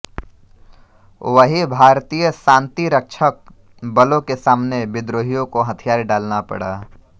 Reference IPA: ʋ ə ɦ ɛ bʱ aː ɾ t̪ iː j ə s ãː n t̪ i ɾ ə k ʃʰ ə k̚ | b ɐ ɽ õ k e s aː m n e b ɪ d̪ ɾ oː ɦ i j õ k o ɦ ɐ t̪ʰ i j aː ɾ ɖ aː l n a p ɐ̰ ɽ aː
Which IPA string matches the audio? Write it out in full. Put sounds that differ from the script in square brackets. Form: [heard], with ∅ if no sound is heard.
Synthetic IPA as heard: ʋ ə ɦ [i] bʱ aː ɾ t̪ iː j ə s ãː n t̪ i ɾ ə k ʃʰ ə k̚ | b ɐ [l] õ k e s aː m n e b ɪ d̪ ɾ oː ɦ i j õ k o ɦ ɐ t̪ʰ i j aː ɾ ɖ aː l n a p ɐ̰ ɽ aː

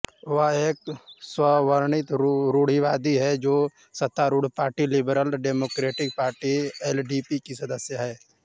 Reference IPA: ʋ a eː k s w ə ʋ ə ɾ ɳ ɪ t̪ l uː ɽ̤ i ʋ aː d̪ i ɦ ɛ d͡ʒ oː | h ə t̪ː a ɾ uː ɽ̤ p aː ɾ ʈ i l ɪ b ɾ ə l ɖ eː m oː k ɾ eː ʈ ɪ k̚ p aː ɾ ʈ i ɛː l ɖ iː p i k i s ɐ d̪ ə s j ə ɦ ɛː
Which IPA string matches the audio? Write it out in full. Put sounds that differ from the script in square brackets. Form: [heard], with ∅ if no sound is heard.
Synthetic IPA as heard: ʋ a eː k s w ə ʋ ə ɾ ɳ ɪ t̪ [ɾ] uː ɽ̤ i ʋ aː d̪ i ɦ ɛ d͡ʒ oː | [s] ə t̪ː a ɾ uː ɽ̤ p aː ɾ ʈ i l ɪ b ɾ ə l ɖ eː m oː k ɾ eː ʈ ɪ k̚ p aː ɾ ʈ i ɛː l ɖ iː p i k i s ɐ d̪ ə s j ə ɦ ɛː

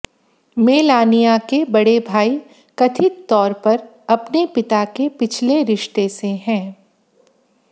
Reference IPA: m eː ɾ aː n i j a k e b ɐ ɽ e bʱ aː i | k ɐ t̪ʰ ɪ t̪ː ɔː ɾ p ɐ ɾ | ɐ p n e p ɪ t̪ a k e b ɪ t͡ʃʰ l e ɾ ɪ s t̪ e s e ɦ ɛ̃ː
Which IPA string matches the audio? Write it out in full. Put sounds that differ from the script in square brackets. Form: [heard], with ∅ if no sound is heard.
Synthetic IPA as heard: m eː [l] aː n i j a k e b ɐ ɽ e bʱ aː i | k ɐ t̪ʰ ɪ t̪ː ɔː ɾ p ɐ ɾ | ɐ p n e p ɪ t̪ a k e [p] ɪ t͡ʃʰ l e ɾ ɪ [ʃ] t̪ e s e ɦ ɛ̃ː

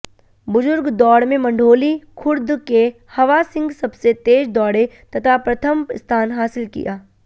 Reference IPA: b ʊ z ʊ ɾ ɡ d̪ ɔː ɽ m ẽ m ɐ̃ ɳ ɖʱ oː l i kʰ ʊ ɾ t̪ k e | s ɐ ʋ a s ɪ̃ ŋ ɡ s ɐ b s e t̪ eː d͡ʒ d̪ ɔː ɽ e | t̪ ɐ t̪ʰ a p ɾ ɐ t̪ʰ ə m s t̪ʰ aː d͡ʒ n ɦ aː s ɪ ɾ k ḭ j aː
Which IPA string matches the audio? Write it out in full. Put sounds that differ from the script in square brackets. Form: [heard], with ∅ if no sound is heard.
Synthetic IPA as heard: b ʊ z ʊ ɾ ɡ d̪ ɔː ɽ m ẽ m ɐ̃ ɳ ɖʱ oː l i kʰ ʊ ɾ [d̪] k e | [h] ɐ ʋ a s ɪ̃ ŋ ɡ s ɐ b s e t̪ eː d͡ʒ d̪ ɔː ɽ e | t̪ ɐ t̪ʰ a p ɾ ɐ t̪ʰ ə m s t̪ʰ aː [∅] n ɦ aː s ɪ [l] k ḭ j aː

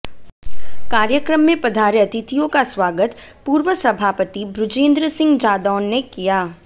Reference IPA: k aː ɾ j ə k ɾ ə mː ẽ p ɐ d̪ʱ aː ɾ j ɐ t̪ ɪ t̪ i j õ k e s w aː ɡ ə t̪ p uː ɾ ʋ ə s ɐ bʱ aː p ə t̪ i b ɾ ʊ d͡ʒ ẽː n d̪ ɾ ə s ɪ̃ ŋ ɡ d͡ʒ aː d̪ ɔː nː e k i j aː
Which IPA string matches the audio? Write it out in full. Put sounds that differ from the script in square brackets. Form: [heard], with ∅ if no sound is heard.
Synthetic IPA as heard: k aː ɾ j ə k ɾ ə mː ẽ p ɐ d̪ʱ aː ɾ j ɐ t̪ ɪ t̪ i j õ k [a] s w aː ɡ ə t̪ p uː ɾ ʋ ə s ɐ bʱ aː p ə t̪ i b ɾ ʊ d͡ʒ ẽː n d̪ ɾ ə s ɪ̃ ŋ ɡ d͡ʒ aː d̪ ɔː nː e k i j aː

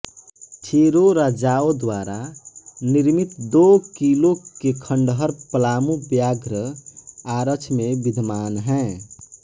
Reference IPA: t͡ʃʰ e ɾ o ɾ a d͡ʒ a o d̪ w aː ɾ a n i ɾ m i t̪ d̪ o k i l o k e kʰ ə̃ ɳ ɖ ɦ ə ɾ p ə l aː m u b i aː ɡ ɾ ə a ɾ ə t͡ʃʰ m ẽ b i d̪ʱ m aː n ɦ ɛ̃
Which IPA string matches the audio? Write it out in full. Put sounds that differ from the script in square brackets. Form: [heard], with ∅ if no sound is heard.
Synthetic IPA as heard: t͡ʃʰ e ɾ o ɾ a d͡ʒ a o d̪ w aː ɾ a n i ɾ m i t̪ d̪ o k i l o k e kʰ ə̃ ɳ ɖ ɦ ə ɾ p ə l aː m u b [j] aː ɡ ɾ ə a ɾ ə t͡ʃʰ m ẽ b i d̪ʱ m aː n ɦ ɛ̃

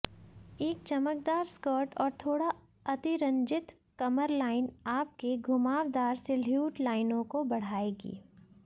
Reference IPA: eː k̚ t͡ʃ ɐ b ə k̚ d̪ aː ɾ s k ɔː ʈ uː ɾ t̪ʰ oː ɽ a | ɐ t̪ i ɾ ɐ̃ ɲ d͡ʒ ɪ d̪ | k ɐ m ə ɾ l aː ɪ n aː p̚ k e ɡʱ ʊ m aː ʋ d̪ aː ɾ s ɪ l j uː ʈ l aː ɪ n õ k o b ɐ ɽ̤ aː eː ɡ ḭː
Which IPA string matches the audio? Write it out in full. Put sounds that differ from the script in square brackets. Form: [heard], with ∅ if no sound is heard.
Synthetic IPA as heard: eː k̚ t͡ʃ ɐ [m] ə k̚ d̪ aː ɾ s k ɔː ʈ [ɔː] ɾ t̪ʰ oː ɽ a | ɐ t̪ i ɾ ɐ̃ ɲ d͡ʒ ɪ [t̪] | k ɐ m ə ɾ l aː ɪ n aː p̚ k e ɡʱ ʊ m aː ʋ d̪ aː ɾ s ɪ l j uː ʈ l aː ɪ n õ k o b ɐ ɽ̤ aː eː ɡ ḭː

